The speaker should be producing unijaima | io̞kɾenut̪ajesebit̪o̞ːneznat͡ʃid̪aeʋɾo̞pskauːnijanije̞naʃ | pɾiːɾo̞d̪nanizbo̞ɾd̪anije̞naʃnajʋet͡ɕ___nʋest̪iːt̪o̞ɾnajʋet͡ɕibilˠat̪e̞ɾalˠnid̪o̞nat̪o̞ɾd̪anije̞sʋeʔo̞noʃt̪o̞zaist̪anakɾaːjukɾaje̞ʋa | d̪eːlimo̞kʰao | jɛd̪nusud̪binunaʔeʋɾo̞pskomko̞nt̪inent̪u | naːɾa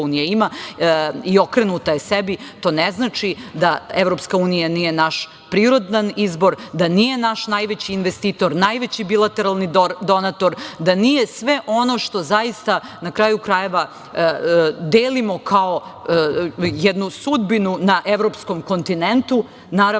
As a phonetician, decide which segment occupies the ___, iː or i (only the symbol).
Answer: iː